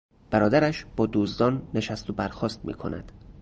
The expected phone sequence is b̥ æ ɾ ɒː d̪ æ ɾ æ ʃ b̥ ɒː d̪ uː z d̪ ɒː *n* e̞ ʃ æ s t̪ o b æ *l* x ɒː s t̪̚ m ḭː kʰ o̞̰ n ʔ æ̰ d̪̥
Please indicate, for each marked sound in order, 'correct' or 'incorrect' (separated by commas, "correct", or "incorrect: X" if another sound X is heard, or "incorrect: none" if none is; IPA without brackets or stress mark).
incorrect: nː, incorrect: ɾ